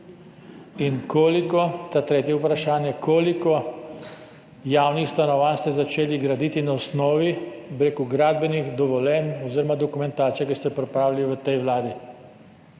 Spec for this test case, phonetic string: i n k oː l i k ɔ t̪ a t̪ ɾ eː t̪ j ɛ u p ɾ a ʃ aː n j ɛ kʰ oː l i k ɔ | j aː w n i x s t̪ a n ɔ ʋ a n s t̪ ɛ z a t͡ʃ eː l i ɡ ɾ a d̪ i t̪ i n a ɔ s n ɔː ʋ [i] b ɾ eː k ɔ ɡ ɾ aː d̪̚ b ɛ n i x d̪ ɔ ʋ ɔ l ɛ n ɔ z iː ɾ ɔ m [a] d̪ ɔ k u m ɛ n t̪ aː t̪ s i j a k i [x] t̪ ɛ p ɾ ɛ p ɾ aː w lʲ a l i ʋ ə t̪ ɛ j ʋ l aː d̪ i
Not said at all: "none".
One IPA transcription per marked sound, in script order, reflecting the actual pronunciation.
i, a, s

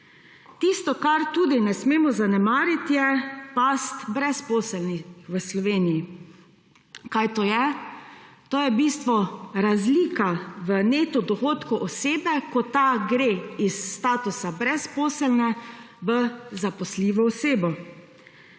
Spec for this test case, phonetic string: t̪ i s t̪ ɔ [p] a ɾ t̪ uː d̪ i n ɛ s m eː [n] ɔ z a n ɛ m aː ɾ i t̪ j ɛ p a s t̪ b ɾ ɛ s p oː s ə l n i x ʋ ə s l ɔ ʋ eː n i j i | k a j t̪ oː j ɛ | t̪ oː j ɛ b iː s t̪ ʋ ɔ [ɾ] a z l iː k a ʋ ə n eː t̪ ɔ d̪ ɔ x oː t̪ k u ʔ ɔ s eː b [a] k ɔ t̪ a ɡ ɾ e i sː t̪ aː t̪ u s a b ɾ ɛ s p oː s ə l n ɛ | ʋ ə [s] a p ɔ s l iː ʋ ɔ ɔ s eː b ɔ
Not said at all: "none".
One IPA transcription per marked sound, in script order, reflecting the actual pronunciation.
k, m, ɾ, ɛ, z

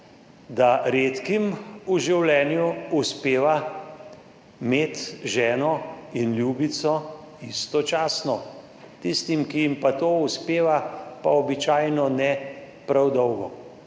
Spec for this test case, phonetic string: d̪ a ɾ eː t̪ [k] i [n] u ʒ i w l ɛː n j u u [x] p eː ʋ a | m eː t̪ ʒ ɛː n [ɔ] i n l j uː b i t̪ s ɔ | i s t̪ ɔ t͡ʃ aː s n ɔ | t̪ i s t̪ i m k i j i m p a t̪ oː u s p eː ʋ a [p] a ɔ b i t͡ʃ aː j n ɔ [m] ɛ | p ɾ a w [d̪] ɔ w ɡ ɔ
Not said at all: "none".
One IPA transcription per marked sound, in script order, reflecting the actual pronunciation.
k, m, s, ɔ, p, n, d̪

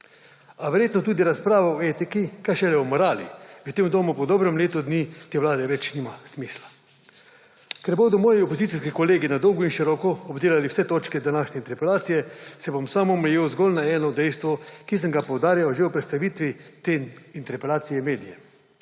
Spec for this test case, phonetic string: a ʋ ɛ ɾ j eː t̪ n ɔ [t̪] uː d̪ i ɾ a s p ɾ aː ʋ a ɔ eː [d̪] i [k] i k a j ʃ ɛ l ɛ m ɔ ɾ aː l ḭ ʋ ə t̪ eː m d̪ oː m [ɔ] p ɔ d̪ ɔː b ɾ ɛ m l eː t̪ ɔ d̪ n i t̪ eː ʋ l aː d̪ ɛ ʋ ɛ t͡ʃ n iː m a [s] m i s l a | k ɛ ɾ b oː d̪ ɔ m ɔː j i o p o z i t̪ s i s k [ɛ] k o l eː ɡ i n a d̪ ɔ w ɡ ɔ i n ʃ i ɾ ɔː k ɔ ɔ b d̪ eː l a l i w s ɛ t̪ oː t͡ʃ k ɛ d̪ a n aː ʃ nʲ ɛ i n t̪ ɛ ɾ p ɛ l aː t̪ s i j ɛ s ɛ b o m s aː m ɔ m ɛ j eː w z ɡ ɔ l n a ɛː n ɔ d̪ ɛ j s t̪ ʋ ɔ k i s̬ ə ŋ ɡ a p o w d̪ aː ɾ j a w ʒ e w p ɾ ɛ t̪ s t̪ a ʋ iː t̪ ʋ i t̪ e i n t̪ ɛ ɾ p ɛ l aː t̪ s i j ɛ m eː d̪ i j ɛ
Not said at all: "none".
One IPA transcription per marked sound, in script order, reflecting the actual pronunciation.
t̪, t̪, k, u, s, i

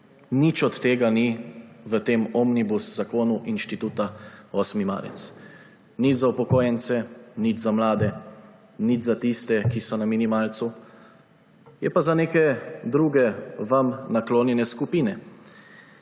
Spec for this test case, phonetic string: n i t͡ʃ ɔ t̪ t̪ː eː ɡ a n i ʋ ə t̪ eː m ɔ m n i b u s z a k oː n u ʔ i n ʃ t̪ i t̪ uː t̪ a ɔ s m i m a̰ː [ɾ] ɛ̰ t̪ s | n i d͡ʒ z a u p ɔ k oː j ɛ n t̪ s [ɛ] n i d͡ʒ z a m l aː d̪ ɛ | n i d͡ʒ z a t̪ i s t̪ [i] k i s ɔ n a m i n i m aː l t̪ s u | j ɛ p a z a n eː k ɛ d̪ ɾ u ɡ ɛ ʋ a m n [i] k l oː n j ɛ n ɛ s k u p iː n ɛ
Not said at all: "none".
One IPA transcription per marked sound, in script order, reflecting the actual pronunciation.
ɾ, ɛ, ɛ, a

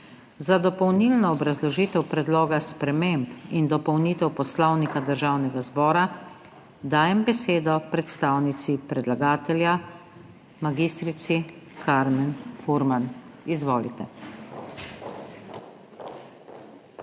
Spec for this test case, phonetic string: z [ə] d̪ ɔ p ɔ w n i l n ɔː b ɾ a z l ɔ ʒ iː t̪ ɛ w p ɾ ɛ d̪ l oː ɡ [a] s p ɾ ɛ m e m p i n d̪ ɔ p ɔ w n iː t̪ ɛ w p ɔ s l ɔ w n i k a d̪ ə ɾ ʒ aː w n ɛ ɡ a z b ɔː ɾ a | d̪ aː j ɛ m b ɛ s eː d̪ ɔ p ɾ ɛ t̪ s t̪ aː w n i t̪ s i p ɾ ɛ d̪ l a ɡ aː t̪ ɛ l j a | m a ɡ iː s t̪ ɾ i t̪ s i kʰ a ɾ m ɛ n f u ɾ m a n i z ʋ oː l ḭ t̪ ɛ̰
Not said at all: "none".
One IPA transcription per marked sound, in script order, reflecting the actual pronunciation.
a, a

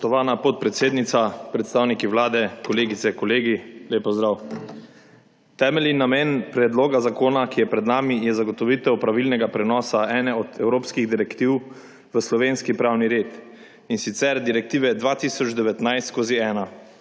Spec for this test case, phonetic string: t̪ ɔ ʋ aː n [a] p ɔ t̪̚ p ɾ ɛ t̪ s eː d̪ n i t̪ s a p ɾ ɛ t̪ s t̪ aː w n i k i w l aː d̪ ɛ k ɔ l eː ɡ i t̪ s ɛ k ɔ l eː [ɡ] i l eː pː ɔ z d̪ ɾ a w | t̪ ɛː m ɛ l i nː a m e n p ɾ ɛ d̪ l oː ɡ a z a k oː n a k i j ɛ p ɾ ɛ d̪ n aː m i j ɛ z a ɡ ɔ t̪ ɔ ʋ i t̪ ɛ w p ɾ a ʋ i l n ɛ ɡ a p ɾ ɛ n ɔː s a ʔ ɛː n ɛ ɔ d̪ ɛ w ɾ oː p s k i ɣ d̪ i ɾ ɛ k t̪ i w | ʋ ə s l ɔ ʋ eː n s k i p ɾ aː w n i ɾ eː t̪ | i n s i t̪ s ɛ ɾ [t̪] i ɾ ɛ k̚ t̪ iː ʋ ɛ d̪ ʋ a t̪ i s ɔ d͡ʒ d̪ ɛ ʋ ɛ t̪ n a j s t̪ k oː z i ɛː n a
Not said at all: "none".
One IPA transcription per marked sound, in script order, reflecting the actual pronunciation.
a, ɡ, d̪

